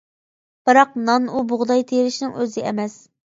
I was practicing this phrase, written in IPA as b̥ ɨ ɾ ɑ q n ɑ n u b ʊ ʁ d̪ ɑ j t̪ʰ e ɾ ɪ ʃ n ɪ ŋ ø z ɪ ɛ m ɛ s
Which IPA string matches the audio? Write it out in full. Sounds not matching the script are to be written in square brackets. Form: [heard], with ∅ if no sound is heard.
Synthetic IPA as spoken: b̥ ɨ ɾ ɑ q n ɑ n u b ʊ ʁ d̪ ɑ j t̪ʰ e ɾ ɪ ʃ n ɪ ŋ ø z ɪ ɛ m ɛ s